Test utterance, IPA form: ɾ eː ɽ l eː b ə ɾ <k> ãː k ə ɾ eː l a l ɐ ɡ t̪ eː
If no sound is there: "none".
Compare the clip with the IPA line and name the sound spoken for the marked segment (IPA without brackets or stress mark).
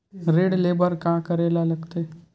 k